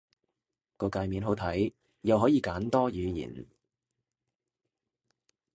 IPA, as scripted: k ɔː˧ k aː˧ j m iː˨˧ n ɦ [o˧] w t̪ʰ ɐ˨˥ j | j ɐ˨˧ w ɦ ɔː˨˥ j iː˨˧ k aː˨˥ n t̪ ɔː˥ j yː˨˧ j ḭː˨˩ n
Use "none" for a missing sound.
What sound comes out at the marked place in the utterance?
o˨˥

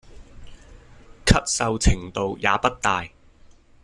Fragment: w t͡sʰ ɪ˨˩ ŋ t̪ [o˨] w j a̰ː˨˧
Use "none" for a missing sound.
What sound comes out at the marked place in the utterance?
o˨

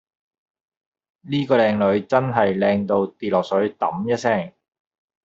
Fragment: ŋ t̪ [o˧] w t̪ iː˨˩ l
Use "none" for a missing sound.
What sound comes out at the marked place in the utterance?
o˧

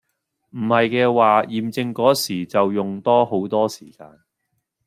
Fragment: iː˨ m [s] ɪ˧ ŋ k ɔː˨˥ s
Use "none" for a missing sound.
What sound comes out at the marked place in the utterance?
t͡s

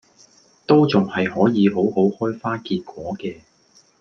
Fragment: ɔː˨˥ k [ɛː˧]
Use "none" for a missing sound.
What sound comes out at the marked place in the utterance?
ɛː˧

